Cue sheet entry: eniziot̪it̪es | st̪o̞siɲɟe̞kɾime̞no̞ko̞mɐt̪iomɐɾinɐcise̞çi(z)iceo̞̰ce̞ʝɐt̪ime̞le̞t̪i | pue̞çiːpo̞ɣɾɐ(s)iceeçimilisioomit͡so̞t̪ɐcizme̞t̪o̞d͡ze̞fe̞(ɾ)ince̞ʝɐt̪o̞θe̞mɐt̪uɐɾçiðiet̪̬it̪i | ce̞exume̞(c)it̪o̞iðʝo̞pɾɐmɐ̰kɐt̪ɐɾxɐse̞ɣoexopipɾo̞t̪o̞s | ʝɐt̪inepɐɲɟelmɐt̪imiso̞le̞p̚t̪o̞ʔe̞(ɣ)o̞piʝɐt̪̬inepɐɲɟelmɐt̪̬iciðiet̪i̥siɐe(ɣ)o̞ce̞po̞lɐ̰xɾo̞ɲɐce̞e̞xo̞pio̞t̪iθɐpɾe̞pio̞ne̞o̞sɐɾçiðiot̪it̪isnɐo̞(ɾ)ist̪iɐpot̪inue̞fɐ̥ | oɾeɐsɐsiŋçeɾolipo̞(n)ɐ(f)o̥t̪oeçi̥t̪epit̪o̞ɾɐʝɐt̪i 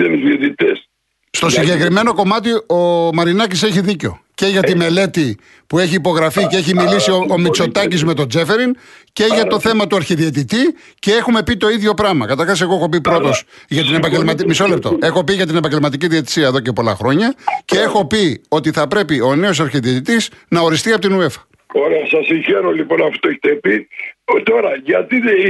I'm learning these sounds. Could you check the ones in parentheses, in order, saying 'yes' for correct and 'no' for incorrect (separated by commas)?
no, no, yes, no, no, no, yes, yes, yes